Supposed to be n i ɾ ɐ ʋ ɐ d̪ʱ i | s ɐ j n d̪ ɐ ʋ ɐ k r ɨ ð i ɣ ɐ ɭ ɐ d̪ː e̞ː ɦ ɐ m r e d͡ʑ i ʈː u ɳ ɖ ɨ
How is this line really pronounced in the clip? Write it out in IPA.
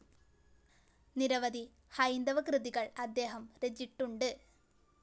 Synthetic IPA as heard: n i ɾ ɐ ʋ ɐ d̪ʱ i | h ɐ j n d̪ ɐ ʋ ɐ k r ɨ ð i ɣ ɐ ɭ ɐ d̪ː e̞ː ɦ ɐ m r e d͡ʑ i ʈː u ɳ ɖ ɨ

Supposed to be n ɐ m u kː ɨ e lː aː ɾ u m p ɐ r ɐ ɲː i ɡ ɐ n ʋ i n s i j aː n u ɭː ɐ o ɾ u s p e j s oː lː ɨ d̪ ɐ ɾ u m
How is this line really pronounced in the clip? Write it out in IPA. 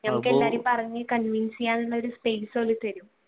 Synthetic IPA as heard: n ɐ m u kː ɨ e lː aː ɾ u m p ɐ r ɐ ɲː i k ɐ n ʋ i n s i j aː n u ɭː ɐ o ɾ u s p e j s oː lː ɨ t̪ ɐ ɾ u m

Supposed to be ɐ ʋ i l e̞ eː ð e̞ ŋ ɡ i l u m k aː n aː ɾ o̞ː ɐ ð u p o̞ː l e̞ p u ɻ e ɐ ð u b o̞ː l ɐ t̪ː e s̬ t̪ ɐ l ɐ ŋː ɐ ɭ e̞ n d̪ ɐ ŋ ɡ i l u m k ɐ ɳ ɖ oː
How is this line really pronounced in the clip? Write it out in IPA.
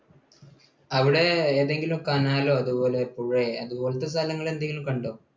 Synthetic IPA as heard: ɐ ʋ i ɽ e̞ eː ð e̞ ŋ ɡ i l u m k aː n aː l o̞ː ɐ ð u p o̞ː l e̞ p u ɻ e ɐ ð u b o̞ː l ɐ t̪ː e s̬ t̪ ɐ l ɐ ŋː ɐ ɭ e̞ n d̪ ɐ ŋ ɡ i l u m k ɐ ɳ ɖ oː

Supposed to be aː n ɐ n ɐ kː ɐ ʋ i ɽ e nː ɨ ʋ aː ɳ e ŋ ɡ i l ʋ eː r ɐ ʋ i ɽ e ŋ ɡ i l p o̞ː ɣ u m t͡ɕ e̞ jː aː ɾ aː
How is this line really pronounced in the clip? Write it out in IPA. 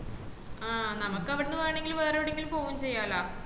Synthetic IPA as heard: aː n ɐ m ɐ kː ɐ ʋ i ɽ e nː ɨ ʋ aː ɳ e ŋ ɡ i l ʋ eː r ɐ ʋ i ɽ e ŋ ɡ i l p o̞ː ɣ u m t͡ɕ e̞ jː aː l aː

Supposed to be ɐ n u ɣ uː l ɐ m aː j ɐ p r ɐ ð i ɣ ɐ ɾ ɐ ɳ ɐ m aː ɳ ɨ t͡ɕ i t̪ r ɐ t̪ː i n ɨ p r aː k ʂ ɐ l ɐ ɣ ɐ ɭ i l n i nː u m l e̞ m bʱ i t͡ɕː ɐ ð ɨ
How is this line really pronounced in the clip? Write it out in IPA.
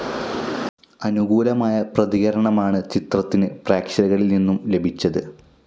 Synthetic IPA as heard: ɐ n u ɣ uː l ɐ m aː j ɐ p r ɐ ð i ɣ ɐ ɾ ɐ ɳ ɐ m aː ɳ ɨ t͡ɕ i t̪ r ɐ t̪ː i n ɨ p r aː k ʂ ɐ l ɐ ɣ ɐ ɭ i l n i nː u m l e̞ bʱ i t͡ɕː ɐ ð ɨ

